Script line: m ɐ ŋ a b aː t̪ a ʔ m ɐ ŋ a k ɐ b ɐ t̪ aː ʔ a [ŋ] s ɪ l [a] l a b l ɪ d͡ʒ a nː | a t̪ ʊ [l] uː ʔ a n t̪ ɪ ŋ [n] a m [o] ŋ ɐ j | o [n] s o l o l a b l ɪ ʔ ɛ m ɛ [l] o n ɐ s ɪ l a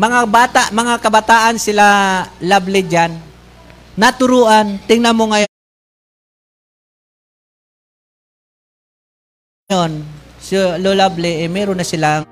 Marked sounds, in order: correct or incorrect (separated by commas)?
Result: incorrect, correct, incorrect, correct, correct, correct, incorrect